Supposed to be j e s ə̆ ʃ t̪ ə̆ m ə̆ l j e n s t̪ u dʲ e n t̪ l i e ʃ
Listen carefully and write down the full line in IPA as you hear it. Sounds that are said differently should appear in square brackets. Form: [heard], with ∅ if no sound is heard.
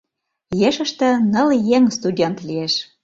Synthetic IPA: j e [ʃ] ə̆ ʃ t̪ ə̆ [n] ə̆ l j e [ŋ] s t̪ u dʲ e n t̪ l i e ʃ